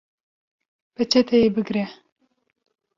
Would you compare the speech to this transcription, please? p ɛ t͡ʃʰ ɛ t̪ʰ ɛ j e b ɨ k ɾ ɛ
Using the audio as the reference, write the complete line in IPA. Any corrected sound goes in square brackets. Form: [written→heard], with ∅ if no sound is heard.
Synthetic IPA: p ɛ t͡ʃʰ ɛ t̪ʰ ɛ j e b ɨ [k→ɡ] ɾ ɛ